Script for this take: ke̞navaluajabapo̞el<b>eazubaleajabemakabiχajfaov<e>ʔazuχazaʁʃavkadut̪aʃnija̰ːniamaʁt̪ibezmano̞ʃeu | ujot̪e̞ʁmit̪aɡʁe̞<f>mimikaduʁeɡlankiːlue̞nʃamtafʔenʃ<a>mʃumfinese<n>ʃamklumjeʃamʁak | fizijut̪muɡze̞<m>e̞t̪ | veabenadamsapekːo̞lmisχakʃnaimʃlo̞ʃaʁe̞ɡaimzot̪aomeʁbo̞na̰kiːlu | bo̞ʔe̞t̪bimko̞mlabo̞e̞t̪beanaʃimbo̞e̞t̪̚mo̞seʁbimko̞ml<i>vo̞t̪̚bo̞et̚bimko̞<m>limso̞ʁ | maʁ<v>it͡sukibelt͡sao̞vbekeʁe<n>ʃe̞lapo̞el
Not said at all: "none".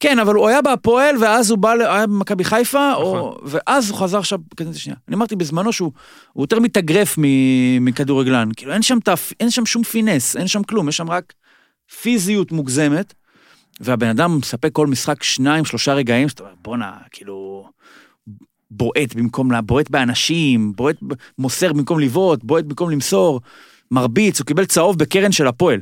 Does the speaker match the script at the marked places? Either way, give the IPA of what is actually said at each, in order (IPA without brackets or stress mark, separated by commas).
v, e, f, a, n, m, i, m, b, n